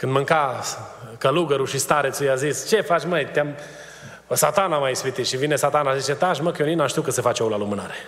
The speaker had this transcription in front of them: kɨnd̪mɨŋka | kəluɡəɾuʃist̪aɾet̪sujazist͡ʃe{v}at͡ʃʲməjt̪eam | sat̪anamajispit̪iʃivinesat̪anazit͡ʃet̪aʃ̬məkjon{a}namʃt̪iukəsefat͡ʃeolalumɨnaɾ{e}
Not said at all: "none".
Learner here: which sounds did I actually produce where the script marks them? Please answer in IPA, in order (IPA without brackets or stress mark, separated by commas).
f, i, e